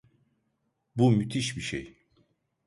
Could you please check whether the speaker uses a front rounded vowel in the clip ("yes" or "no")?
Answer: yes